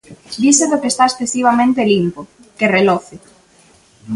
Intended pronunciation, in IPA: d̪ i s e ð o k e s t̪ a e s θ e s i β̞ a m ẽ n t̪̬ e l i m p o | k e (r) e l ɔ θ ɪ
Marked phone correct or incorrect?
correct